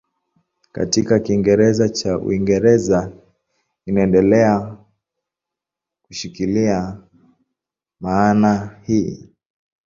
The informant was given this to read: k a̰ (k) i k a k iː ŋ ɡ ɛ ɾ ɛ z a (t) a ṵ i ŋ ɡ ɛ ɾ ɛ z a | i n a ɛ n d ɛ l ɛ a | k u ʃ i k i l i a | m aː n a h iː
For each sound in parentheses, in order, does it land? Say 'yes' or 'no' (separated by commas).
no, no